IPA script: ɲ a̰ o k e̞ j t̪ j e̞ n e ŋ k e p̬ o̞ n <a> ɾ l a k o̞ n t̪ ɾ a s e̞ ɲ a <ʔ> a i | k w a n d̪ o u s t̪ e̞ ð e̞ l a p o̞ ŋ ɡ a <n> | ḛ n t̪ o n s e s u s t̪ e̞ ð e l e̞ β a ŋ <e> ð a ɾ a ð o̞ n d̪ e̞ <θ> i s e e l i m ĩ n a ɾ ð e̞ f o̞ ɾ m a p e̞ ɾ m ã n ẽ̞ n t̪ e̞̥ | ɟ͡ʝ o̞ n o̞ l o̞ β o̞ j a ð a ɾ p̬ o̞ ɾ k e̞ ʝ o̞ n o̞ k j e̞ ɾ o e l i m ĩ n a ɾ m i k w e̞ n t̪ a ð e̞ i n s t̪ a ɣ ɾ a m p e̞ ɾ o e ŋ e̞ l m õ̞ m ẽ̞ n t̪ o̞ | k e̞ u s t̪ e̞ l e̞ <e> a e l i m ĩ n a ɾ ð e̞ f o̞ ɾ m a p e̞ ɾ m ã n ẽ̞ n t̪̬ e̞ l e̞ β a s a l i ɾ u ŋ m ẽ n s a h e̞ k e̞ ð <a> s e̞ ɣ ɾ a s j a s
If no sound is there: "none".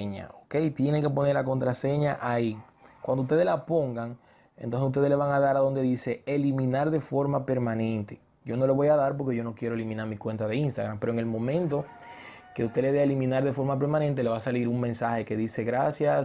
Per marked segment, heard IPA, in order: e, ʔ, ŋ, a, ð, e, i

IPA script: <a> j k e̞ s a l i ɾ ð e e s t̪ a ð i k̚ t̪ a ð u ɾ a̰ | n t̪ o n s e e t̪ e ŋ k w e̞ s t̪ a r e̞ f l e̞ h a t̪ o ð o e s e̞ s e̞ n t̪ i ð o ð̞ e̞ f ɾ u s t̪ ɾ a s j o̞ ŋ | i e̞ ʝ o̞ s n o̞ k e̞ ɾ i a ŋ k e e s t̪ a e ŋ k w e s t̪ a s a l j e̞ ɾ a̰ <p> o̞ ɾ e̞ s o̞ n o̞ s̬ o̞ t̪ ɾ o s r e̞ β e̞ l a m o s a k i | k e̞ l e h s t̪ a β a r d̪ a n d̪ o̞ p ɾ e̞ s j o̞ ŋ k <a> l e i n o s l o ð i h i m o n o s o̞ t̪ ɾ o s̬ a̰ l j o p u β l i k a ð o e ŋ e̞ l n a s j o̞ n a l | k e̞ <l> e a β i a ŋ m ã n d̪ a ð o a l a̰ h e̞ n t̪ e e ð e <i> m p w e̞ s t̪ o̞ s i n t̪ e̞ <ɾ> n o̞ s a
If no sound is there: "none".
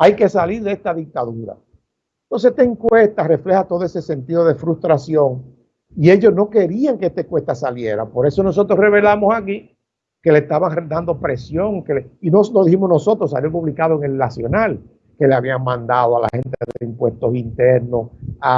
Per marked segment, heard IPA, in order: a, p, e, l, i, ɾ

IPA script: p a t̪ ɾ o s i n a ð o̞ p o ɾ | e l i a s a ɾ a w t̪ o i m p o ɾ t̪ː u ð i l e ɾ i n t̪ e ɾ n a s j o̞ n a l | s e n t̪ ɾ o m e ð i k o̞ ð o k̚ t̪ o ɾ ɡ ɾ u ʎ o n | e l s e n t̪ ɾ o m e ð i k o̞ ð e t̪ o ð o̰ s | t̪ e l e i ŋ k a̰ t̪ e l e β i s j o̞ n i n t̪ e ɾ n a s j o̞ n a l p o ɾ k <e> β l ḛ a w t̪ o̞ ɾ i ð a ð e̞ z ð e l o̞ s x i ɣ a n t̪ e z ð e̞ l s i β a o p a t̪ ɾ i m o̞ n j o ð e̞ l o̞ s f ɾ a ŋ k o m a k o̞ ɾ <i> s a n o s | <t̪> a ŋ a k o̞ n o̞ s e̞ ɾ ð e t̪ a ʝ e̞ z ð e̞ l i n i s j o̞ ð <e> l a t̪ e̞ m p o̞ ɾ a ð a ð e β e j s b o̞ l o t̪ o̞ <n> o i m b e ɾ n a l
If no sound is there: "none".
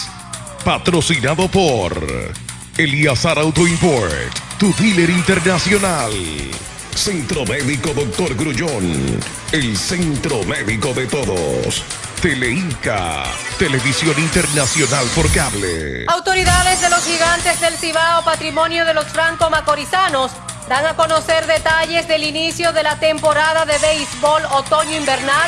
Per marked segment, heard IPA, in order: a, i, d̪, e, ɲ

